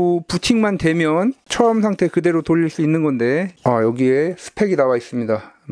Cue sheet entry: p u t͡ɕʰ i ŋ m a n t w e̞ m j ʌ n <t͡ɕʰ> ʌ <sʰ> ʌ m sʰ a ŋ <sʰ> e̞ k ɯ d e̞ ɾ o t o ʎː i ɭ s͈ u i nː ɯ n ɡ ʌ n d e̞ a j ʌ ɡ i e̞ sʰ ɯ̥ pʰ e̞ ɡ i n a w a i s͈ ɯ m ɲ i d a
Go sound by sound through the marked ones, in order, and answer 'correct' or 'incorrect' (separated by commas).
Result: correct, incorrect, incorrect